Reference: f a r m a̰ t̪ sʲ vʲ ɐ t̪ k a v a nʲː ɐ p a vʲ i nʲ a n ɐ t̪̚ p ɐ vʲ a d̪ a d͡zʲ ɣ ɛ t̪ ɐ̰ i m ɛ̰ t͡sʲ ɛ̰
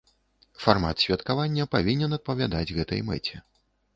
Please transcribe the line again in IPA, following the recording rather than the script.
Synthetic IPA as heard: f a r m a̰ t̪ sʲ vʲ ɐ t̪ k a v a nʲː ɐ p a vʲ i nʲ ɛ n ɐ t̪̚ p ɐ vʲ a d̪ a d͡zʲ ɣ ɛ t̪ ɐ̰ j m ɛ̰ t͡sʲ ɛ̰